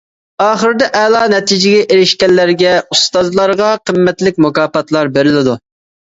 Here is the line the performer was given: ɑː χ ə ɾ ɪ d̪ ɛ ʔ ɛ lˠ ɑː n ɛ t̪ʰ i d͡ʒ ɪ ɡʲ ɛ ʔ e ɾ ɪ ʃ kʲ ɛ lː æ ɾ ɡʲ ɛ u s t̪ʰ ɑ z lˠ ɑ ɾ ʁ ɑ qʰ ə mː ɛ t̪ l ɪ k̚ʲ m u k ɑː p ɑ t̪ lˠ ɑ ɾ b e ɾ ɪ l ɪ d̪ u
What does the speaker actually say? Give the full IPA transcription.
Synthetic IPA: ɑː χ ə ɾ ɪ d̪ ɛ ʔ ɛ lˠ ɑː n ɛ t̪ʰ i d͡ʒ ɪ ɡʲ ɛ ʔ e ɾ ɪ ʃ kʲ ɛ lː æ ɾ ɡʲ ɛ u s t̪ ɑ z lˠ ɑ ɾ ʁ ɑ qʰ ə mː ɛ t̪ l ɪ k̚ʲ m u k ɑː p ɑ t̪ lˠ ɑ ɾ b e ɾ ɪ l ɪ d̪ u